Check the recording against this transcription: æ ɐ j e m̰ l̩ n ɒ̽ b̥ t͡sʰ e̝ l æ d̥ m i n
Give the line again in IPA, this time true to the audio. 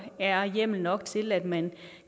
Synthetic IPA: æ ɐ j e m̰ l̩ n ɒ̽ ɡ̥ t͡sʰ e̝ l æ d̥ m æ n

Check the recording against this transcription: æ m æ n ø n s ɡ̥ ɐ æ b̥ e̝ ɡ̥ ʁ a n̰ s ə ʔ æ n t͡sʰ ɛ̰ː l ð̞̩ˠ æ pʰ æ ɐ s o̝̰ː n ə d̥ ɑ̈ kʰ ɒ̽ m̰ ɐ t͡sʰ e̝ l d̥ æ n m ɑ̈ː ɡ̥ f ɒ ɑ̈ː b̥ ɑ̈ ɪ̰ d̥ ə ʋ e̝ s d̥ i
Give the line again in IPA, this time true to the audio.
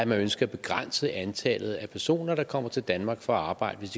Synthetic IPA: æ m æ n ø n s ɡ̥ ɐ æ b̥ e̝ ɡ̥ ʁ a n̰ s ə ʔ æ n t͡sʰ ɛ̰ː l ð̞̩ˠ æ pʰ æ ɐ s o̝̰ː n ɐ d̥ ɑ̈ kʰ ɒ̽ m̰ ɐ t͡sʰ e̝ l d̥ æ n m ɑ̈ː ɡ̥ f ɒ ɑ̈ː b̥ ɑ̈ ɪ̰ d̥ ə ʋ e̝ s d̥ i

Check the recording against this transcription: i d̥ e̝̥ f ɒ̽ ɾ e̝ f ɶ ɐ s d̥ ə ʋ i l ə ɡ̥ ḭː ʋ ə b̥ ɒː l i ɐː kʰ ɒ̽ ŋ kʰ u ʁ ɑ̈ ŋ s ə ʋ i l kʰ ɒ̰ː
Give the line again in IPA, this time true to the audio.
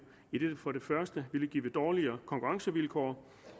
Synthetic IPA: i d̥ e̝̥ f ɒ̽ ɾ e̝ f ɶ ɐ s d̥ ə ʋ i l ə ɡ̥ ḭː ʋ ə d̥ ɒː l i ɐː kʰ ɒ̽ ŋ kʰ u ʁ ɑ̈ ŋ s ə ʋ i l kʰ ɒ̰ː

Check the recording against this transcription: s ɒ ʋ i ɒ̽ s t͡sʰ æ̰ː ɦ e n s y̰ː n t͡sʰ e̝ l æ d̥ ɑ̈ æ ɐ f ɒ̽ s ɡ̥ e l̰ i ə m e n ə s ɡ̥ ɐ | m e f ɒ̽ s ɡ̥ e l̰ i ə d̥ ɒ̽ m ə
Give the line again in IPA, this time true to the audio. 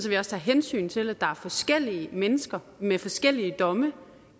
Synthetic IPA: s ɒ ʋ i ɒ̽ s t͡sʰ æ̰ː ɦ e n s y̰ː n t͡sʰ e̝ l æ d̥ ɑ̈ æ ɐ f ɒ̽ s ɡ̥ e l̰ i ə m e n ə s ɡ̥ ɐ | m e f ɒ̽ s ɡ̥ e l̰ i ə d̥ ɒ̽ m ə

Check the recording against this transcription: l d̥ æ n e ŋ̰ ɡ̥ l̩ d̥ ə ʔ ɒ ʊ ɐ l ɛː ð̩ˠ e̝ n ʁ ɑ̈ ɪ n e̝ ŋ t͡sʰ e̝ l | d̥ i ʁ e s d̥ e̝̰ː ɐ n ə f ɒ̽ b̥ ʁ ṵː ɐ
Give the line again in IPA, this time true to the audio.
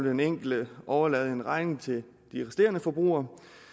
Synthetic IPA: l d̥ e n e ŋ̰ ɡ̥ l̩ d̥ ə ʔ ɒ ʊ ɐ l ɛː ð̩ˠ e̝ n ʁ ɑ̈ ɪ n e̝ ŋ t͡sʰ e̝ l | d̥ i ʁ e s d̥ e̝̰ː ɐ n ə f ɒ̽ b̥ ʁ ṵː ɐ

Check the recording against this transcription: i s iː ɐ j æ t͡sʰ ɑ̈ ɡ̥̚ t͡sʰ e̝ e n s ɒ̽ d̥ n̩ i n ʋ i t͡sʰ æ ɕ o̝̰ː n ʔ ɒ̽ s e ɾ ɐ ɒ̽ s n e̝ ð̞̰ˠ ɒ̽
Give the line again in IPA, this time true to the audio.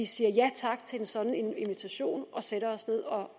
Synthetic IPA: i s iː ɐ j æ t͡sʰ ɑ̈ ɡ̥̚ t͡sʰ e̝ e n s ɒ̽ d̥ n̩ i n ʋ i t͡sʰ æ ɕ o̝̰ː n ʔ ɒ̽ s e ɾ ɐ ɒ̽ s n e̝ ð̞̰ˠ ɒ̽

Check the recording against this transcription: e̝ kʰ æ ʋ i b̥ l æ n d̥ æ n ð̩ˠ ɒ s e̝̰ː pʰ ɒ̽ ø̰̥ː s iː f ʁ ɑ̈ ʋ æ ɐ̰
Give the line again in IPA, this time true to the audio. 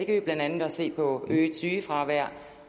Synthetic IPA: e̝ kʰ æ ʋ i b̥ l æ n d̥ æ n ð̩ˠ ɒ s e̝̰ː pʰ ɒ̽ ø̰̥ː s yː f ʁ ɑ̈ ʋ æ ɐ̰

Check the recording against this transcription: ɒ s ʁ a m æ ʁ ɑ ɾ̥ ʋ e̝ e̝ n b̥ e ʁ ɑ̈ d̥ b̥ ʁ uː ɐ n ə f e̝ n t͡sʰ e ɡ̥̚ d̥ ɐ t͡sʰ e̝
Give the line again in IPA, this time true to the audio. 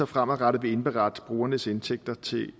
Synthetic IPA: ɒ f ʁ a m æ ʁ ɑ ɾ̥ ʋ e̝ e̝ n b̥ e ʁ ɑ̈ d̥ b̥ ʁ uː ɐ n ə s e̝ n t͡sʰ e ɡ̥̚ d̥ ɐ t͡sʰ e̝

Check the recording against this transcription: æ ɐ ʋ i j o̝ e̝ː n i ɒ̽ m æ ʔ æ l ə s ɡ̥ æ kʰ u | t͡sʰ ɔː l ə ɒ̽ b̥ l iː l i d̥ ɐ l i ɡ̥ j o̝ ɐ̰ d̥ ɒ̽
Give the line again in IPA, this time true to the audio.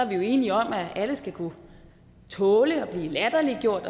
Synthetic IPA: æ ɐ ʋ i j o̝ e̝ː n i ɒ̽ m æ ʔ æ l ə s ɡ̥ æ kʰ u | t͡sʰ ɔː l ə ɒ̽ b̥ l iː l æ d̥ ɐ l i ɡ̥ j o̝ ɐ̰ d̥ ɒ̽

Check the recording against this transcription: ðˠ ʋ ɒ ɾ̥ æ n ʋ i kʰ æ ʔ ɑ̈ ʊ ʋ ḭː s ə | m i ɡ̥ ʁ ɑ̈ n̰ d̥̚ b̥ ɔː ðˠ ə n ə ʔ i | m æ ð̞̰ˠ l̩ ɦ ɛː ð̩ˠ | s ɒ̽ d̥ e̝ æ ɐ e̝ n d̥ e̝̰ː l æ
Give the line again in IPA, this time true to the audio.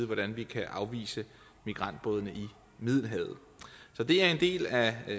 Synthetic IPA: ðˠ ʋ ɒ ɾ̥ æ n ʋ i kʰ æ ʔ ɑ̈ ʊ ʋ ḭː s ə | m i ɡ̥ ʁ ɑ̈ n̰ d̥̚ b̥ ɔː ðˠ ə n ə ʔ i | m i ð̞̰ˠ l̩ ɦ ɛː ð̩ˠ | s ɒ̽ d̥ e̝ æ ɐ e̝ n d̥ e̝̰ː l æ

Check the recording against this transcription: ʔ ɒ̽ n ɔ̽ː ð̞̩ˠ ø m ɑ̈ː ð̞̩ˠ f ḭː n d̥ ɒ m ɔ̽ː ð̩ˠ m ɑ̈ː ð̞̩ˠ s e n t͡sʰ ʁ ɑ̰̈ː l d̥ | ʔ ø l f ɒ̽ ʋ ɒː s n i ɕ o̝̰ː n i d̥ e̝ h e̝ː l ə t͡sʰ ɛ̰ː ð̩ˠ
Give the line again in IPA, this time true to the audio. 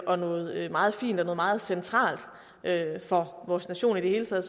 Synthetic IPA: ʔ ɒ̽ n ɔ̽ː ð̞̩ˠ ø m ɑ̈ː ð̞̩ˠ f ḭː n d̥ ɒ n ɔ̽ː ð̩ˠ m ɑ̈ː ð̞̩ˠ s e n t͡sʰ ʁ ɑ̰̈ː l d̥ | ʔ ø f ɒ̽ ʋ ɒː s n æ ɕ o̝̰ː n i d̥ e̝ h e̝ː l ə t͡sʰ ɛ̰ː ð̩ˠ

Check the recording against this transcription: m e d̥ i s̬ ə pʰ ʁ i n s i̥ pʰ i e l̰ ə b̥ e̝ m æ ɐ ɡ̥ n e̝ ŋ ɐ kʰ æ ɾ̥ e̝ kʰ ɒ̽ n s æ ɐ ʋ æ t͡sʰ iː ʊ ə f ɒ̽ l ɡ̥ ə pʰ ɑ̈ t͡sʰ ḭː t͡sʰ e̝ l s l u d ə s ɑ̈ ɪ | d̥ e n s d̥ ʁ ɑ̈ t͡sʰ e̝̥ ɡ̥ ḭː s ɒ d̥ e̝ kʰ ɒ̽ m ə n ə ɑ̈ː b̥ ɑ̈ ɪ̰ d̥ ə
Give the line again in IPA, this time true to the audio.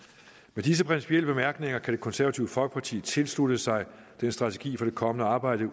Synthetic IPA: m e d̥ i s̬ ə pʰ ʁ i n s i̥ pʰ i e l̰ ə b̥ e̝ m æ ɐ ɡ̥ n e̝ ŋ ɐ kʰ æ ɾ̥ e̝ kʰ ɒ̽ n s æ ɐ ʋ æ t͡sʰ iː ʊ ə f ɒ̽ l ɡ̥ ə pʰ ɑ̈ t͡sʰ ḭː t͡sʰ e̝ l s l u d ə s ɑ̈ ɪ | d̥ e n s d̥ ʁ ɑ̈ t͡sʰ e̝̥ ɡ̥ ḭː f ɒ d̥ e̝ kʰ ɒ̽ m ə n ə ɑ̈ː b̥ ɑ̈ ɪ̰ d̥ ə

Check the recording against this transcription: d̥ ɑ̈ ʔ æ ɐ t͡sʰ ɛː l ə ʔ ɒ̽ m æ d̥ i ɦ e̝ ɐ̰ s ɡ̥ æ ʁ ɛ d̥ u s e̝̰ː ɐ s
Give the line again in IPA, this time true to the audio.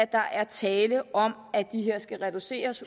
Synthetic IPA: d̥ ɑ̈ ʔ æ ɐ t͡sʰ ɛː l ə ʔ ɒ̽ m æ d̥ i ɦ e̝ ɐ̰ s ɡ̥ æ ʁ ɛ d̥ u s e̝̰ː ɐ s

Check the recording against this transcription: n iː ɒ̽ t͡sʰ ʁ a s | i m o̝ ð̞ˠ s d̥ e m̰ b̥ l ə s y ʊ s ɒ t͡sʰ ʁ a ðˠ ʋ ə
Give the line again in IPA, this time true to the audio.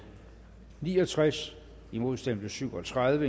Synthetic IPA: n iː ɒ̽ t͡sʰ ʁ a s | i m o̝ ð̞ˠ s d̥ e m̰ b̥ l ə s y ʊ ɒ t͡sʰ ʁ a ðˠ ʋ ə

